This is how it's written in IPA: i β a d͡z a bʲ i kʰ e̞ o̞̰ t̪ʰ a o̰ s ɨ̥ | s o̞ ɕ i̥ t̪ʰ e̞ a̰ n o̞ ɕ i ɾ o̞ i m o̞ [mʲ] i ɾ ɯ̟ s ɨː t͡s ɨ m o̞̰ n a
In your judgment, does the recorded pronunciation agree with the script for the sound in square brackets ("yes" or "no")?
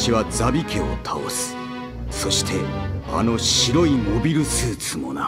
no